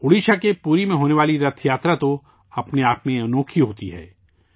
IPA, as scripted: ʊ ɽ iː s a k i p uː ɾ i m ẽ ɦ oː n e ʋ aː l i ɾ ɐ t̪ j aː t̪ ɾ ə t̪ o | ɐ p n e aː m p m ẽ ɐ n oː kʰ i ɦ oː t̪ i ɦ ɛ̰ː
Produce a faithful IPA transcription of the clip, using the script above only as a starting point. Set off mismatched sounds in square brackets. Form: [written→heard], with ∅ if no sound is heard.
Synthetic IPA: ʊ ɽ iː [s→ʃ] a k [i→e] p uː ɾ i m ẽ ɦ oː n e ʋ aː l i ɾ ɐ [t̪→t̪ʰ] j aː t̪ ɾ [ə→a] t̪ o | ɐ p n e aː [m→∅] p m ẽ ɐ n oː kʰ i ɦ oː t̪ i ɦ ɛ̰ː